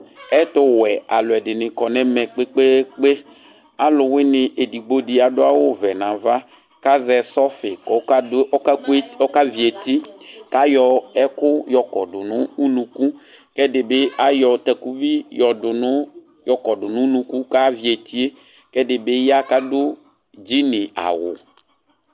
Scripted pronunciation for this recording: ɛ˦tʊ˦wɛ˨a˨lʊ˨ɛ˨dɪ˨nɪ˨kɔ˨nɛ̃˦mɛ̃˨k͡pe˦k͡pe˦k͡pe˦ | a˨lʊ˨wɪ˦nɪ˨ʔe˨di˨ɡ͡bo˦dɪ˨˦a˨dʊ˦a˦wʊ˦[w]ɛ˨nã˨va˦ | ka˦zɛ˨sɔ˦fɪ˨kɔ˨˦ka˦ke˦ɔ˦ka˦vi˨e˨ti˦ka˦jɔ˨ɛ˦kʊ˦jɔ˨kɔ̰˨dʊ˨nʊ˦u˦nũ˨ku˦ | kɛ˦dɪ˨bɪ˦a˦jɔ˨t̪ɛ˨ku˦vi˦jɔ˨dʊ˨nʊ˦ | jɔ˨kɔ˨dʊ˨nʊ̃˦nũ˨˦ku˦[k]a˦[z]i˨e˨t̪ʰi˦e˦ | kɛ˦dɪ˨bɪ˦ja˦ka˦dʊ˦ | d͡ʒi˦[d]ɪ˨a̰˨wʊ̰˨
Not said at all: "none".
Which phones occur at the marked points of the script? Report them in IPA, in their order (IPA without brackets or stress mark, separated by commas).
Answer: v, k, v, n